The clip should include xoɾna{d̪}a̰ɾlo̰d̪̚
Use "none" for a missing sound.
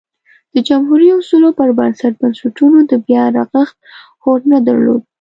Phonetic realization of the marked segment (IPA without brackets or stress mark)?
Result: d̪